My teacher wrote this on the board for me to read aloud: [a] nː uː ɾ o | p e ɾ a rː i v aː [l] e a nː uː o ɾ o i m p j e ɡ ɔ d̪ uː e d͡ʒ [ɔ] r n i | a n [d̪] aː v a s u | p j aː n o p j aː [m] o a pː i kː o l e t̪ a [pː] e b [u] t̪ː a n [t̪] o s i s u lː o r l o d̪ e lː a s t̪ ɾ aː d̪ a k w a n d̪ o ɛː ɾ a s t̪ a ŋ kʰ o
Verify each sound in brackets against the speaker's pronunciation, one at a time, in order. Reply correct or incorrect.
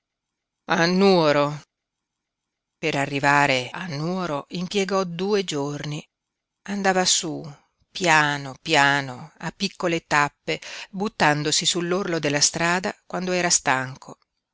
correct, incorrect: ɾ, incorrect: o, correct, incorrect: n, correct, correct, incorrect: d̪

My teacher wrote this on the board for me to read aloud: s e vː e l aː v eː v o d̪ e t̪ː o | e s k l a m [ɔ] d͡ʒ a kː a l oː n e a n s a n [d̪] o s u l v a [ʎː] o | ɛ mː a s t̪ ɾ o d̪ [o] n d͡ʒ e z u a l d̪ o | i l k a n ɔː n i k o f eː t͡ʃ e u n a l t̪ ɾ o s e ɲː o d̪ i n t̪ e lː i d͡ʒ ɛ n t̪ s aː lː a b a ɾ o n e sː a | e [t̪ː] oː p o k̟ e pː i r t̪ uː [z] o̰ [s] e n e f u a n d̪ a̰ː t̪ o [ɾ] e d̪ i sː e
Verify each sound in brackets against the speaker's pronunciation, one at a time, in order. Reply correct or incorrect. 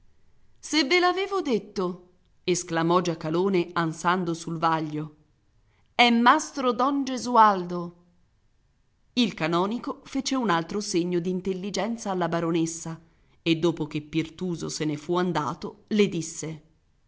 correct, correct, correct, incorrect: ɔ, incorrect: d̪ː, correct, correct, incorrect: l

